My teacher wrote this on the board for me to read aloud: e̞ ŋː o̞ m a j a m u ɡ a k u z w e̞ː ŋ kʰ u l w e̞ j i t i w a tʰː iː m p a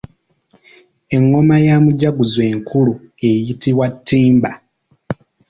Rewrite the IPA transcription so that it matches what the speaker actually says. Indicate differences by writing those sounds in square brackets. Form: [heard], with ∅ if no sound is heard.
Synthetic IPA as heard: e̞ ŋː o̞ m a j a m u [ɟ] a [ɡ] u z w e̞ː ŋ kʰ u l [u] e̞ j i t i w a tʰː iː m [b] a

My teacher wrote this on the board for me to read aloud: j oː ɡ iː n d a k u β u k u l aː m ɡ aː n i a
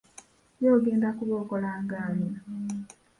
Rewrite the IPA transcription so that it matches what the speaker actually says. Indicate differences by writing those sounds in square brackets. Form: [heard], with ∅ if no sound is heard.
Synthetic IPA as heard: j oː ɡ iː n d a k u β [o] k [o] l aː [ŋ] ɡ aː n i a

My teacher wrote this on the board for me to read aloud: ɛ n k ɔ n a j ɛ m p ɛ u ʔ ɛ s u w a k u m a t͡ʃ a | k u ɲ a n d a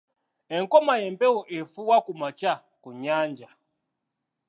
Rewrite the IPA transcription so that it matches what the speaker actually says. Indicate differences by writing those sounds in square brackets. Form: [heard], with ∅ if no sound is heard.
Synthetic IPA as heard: ɛ [ŋ] k ɔ [m] a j ɛ m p ɛ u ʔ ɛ [f] u w a k u m a t͡ʃ a | k u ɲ a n [d͡ʒ] a

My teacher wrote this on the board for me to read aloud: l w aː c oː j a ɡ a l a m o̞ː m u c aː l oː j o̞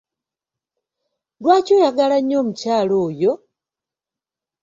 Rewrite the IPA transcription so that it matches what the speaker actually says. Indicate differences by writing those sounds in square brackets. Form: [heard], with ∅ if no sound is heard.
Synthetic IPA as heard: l w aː c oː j a ɡ a l a [ɲ] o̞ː m u c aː l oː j o̞

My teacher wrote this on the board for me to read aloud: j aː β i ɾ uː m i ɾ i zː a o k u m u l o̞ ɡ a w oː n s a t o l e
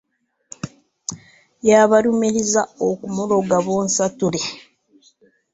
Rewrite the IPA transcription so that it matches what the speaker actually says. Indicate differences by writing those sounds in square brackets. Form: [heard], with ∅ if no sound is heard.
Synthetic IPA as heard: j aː β [a] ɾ [u] m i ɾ i [z] a o k u m u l o̞ ɡ a [β] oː n s a t [u] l e

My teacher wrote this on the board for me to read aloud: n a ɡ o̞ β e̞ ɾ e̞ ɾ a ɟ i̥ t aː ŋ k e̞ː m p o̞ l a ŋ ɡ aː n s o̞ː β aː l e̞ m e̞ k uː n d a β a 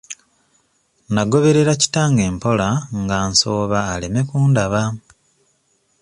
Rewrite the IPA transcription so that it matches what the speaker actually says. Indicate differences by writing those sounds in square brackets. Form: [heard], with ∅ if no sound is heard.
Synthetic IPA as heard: n a ɡ o̞ β e̞ ɾ e̞ ɾ a [c] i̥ t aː ŋ [ɡ] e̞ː m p o̞ l a ŋ ɡ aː n s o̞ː β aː l e̞ m e̞ k uː n d a β a

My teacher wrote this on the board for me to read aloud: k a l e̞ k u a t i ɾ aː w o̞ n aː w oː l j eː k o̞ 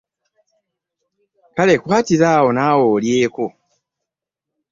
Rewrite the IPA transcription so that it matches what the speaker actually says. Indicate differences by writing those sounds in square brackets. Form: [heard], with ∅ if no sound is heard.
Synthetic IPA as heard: k a l e̞ k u a t i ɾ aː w o̞ n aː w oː l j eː k o̞

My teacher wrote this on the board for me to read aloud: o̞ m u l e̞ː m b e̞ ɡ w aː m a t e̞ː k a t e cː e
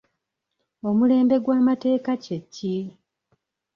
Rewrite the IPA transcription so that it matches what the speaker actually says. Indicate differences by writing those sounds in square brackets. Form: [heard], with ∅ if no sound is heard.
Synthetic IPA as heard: o̞ m u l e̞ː m b e̞ ɡ w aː m a t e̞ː k a [c] e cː [i]

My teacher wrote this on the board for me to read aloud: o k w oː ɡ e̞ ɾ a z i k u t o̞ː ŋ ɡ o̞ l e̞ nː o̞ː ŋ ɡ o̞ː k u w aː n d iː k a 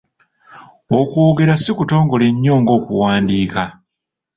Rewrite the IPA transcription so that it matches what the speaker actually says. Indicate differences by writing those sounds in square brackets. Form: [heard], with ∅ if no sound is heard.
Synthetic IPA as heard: o k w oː ɡ e̞ ɾ a [s] i k u t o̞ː ŋ ɡ o̞ l e̞ [ɲː] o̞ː ŋ ɡ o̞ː k u w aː n d iː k a

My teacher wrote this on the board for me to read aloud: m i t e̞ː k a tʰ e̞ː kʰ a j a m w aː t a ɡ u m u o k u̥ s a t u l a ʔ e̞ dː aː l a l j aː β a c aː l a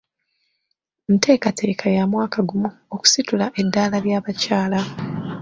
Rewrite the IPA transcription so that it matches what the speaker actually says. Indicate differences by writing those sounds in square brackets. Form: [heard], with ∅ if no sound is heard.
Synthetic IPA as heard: m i t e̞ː k a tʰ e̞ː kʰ a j a m w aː [k] a ɡ u m u o k u̥ s [i] t u l a ʔ e̞ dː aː l a l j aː β a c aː l a

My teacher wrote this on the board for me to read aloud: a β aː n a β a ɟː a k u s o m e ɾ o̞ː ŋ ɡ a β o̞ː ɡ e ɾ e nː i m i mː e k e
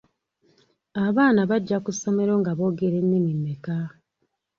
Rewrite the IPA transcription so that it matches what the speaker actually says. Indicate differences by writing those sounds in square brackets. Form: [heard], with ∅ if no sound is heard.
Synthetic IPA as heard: a β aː n a β a ɟː a k u s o m e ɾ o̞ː ŋ ɡ a β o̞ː ɡ e ɾ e nː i m i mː e k [a]

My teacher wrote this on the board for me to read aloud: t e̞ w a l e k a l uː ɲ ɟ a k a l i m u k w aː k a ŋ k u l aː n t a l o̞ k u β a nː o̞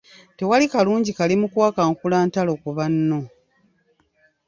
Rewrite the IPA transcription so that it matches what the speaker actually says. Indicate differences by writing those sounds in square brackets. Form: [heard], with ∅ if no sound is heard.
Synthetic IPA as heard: t e̞ w a l [i] k a l uː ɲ ɟ [i] k a l i m u k w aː k a ŋ k u l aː n t a l o̞ k u β a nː o̞

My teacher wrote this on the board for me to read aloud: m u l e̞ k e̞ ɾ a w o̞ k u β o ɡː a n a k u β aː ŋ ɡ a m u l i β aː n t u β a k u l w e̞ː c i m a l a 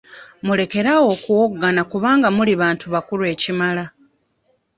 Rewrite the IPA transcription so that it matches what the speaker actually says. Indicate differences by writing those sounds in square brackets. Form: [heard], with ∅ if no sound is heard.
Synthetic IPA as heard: m u l e̞ k e̞ ɾ a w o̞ k u [w] o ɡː a n a k u β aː ŋ ɡ a m u l i β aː n t u β a k u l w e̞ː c i m a l a

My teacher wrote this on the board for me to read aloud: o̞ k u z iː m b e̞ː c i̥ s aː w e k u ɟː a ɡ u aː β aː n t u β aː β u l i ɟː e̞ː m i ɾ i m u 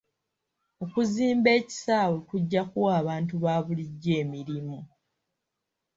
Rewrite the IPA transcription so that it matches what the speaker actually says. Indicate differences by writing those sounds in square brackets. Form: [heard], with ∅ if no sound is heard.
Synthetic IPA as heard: o̞ k u z iː m b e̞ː c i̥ s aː w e k u ɟː a [k] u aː β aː n t u β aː β u l i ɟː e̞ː m i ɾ i m u

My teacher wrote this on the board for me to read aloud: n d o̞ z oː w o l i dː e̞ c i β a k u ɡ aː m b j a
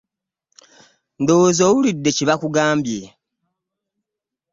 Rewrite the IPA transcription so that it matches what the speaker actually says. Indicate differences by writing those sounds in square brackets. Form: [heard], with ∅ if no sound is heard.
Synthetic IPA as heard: n d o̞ z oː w [u] l i dː e̞ c i β a k u ɡ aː m b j [e]

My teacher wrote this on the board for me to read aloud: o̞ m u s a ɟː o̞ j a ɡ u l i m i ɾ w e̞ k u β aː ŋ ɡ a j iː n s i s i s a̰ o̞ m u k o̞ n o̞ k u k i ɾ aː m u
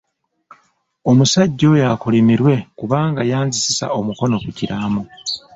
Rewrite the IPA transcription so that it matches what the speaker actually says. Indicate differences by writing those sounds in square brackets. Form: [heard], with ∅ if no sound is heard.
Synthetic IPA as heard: o̞ m u s a ɟː o̞ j a [k] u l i m i ɾ w e̞ k u β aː ŋ ɡ a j [aː] n [z] i s i s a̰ o̞ m u k o̞ n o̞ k u [c] i ɾ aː m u

